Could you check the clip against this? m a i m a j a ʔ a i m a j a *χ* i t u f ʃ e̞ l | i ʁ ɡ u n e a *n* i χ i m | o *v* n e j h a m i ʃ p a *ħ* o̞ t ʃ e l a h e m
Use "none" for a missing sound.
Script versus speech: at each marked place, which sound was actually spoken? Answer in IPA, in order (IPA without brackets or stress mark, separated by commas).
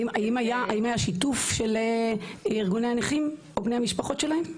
ʃ, n, b, χ